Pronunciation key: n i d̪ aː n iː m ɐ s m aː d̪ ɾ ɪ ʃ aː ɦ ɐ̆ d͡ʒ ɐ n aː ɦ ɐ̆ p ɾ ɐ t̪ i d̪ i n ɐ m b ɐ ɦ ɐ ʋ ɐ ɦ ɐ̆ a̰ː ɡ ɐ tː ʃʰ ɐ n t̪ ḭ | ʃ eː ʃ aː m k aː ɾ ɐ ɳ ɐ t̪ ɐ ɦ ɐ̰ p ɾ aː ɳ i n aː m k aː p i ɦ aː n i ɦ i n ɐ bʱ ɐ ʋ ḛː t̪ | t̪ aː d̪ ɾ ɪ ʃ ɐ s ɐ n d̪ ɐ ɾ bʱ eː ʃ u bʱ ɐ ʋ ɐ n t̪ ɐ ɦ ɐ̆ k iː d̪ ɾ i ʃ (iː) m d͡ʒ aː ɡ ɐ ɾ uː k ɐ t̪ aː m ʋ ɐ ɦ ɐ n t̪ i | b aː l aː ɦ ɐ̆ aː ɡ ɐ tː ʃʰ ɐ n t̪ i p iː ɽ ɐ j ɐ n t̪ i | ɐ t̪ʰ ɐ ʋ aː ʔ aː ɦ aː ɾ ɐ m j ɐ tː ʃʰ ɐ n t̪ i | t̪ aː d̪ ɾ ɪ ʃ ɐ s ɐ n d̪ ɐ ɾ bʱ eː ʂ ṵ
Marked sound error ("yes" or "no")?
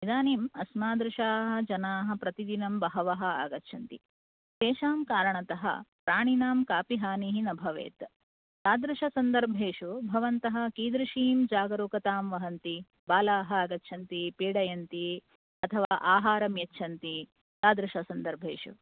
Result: no